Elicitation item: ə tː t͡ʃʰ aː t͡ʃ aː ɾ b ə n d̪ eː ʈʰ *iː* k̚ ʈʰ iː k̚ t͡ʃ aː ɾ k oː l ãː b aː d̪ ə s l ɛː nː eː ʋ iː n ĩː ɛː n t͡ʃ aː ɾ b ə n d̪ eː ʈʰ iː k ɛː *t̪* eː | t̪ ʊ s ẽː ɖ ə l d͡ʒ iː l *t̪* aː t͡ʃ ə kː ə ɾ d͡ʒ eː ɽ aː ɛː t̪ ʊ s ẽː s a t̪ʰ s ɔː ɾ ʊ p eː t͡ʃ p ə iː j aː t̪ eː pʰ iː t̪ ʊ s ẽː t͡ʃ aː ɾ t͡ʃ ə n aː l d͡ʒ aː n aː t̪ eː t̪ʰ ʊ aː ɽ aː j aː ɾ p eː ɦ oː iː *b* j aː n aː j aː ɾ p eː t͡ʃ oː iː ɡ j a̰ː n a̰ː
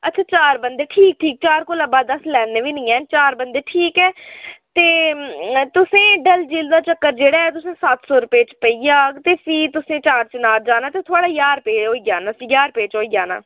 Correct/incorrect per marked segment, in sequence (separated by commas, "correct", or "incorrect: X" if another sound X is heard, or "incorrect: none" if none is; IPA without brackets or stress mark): correct, correct, incorrect: d̪, incorrect: ɡ